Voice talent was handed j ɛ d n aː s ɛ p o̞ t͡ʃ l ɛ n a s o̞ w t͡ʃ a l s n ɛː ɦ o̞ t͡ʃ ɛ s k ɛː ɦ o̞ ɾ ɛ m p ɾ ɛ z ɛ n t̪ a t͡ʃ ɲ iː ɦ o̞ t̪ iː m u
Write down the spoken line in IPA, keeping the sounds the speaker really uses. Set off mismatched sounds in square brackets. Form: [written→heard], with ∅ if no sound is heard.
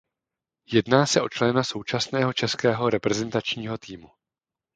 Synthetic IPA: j ɛ d n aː s ɛ [p→ʔ] o̞ t͡ʃ l ɛ n a s o̞ w t͡ʃ a [l→∅] s n ɛː ɦ o̞ t͡ʃ ɛ s k ɛː ɦ o̞ ɾ ɛ [m→∅] p ɾ ɛ z ɛ n t̪ a t͡ʃ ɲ iː ɦ o̞ t̪ iː m u